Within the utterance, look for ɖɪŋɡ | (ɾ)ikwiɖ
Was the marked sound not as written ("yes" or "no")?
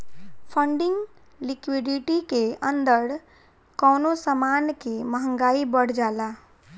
yes